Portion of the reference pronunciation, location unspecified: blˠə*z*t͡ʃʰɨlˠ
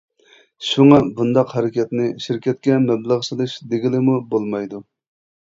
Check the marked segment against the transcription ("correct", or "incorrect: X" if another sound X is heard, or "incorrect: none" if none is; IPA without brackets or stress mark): incorrect: ʁ